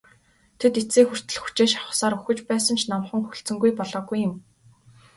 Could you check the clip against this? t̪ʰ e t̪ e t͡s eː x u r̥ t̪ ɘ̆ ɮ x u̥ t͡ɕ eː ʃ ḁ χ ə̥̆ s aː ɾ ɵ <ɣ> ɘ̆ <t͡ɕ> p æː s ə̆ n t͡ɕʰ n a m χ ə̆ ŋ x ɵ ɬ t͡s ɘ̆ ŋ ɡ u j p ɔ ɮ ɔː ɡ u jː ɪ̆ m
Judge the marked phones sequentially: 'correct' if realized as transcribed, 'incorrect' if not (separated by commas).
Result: incorrect, correct